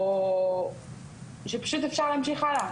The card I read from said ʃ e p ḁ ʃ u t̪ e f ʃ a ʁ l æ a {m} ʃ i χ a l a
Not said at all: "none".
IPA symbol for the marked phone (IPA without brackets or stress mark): m